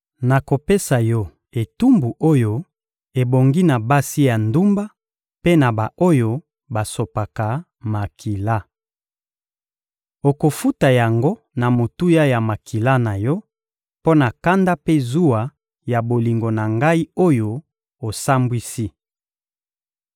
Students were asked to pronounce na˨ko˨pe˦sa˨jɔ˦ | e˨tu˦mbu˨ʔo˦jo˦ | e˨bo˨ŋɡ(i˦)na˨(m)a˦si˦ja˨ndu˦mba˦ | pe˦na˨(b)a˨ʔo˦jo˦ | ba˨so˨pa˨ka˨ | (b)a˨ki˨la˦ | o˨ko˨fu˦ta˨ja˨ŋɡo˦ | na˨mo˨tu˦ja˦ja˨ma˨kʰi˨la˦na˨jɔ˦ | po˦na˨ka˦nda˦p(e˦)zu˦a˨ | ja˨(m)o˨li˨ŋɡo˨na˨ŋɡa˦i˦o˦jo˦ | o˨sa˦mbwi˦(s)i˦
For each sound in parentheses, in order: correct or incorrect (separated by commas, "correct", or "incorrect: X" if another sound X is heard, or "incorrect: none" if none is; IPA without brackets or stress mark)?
correct, incorrect: b, correct, incorrect: m, correct, incorrect: b, correct